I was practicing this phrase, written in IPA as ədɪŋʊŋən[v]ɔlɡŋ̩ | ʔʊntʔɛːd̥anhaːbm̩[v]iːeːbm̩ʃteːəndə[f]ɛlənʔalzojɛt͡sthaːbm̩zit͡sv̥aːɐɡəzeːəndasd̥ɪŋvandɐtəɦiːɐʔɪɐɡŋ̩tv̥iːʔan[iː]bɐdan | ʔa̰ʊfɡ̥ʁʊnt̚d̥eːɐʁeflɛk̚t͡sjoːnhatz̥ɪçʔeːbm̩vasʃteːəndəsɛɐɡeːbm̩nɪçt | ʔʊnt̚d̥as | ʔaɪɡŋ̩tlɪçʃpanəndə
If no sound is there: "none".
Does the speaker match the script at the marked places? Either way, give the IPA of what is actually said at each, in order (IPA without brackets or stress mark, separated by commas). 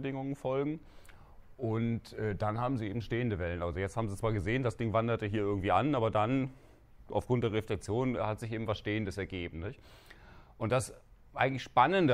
f, z, v, aː